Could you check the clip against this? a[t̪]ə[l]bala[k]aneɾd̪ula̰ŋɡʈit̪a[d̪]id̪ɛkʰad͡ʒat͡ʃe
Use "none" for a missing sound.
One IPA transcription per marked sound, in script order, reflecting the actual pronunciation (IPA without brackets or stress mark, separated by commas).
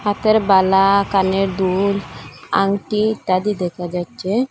t̪, ɾ, k, d̪